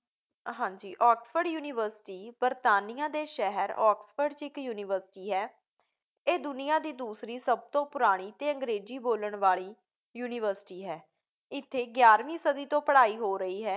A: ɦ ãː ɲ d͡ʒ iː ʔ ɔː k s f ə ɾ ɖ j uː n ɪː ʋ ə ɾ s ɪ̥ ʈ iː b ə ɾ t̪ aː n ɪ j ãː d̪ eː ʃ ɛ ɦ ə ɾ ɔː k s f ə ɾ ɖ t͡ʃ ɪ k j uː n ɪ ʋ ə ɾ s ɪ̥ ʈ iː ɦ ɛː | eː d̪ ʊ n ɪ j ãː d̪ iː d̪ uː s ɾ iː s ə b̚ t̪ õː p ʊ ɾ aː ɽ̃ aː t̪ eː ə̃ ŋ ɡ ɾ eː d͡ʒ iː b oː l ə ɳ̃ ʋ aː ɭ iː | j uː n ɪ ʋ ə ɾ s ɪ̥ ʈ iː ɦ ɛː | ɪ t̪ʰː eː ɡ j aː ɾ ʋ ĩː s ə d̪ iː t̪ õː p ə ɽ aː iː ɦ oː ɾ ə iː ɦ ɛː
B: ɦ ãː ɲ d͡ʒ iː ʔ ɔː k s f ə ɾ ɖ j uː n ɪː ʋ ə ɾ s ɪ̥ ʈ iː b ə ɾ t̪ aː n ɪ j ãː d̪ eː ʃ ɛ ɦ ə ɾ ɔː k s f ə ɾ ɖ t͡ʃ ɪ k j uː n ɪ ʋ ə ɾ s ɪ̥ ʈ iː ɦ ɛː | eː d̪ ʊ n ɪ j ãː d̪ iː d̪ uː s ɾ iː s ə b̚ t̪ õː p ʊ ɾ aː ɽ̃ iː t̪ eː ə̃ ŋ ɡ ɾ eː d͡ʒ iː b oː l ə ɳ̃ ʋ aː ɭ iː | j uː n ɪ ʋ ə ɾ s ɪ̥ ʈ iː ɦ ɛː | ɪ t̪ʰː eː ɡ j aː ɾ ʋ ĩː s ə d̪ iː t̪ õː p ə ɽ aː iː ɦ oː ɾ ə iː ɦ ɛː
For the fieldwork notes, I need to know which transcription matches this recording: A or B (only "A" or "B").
B